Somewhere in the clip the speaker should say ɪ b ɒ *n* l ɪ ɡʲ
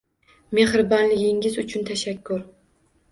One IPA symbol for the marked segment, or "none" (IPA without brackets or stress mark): n